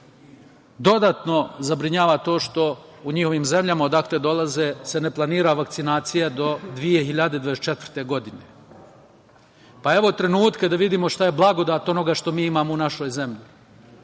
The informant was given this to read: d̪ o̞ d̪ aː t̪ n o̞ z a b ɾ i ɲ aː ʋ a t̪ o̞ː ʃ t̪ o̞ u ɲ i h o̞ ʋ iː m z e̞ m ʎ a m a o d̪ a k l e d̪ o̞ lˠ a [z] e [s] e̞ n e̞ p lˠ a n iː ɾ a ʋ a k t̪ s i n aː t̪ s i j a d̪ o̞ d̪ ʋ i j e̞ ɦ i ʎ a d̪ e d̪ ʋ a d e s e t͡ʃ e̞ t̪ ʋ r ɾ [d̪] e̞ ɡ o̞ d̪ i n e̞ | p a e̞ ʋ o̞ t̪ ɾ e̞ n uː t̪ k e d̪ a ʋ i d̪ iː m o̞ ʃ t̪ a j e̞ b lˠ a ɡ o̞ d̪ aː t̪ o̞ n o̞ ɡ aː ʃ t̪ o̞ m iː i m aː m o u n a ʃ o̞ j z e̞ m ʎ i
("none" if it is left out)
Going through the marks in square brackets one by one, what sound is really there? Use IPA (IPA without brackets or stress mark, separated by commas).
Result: z, s, t̪